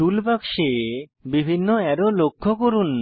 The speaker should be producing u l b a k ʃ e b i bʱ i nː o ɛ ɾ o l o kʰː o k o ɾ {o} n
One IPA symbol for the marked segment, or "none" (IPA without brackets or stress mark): u